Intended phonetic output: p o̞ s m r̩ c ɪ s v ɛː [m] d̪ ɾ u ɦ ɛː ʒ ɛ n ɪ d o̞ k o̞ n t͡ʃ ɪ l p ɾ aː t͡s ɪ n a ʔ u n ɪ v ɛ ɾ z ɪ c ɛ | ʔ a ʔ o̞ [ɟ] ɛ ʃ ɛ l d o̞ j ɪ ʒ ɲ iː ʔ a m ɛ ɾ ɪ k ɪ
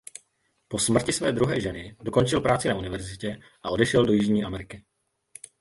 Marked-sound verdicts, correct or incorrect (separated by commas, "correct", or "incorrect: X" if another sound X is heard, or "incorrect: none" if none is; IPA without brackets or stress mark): incorrect: none, incorrect: d